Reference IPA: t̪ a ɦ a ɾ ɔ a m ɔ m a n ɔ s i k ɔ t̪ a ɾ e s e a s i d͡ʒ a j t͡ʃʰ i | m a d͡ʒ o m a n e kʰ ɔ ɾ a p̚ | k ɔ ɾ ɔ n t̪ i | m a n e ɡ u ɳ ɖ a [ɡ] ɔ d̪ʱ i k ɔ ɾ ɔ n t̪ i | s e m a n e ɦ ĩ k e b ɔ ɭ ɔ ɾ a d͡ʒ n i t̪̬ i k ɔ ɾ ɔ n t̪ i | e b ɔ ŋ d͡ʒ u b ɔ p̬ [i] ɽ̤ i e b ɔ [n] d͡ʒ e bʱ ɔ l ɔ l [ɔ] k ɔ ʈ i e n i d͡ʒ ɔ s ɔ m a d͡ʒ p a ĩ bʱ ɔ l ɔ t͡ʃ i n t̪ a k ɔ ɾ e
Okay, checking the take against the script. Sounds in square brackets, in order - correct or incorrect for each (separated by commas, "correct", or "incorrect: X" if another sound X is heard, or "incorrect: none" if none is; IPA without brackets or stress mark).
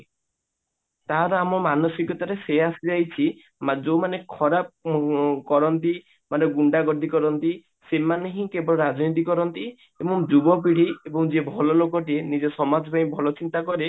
correct, correct, incorrect: ŋ, incorrect: o